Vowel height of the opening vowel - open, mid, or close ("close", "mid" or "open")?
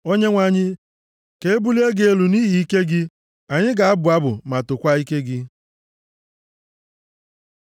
mid